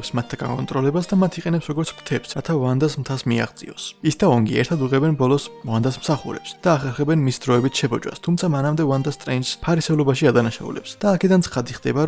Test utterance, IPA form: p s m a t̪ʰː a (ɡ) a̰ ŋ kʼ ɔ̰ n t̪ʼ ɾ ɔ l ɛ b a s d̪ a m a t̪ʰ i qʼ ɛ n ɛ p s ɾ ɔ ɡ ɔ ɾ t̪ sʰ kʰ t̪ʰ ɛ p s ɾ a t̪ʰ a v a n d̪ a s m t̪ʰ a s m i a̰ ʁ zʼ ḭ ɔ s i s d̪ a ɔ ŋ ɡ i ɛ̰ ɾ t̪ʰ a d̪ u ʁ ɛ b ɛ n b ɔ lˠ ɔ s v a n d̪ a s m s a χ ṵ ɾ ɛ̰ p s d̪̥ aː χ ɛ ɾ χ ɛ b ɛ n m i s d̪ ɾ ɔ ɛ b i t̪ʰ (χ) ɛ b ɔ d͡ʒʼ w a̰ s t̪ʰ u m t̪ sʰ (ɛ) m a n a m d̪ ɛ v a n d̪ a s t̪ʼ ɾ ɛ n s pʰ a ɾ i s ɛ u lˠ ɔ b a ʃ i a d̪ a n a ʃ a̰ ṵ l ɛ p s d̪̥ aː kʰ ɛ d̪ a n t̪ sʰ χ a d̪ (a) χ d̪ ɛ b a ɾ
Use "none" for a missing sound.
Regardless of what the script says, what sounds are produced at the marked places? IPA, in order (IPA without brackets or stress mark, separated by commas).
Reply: ɡ, ʃ, a, i